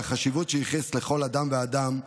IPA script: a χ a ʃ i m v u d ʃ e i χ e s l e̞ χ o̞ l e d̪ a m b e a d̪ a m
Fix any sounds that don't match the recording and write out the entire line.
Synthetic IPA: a χ a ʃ i v u t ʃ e i χ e s l e̞ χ o̞ l a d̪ a m v e a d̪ a m